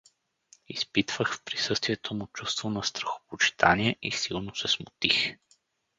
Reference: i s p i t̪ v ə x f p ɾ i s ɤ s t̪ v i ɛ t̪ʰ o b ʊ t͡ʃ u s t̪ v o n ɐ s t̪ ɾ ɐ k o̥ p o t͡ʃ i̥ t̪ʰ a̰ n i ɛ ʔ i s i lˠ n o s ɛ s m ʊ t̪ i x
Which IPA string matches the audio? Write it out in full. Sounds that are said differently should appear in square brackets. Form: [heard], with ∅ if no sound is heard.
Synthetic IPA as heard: i s p i t̪ v ə x f p ɾ i s ɤ s t̪ v i ɛ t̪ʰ o [m] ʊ t͡ʃ u s t̪ v o n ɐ s t̪ ɾ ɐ [x] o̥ p o t͡ʃ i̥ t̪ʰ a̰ n i ɛ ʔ i s i lˠ n o s ɛ s m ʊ t̪ i x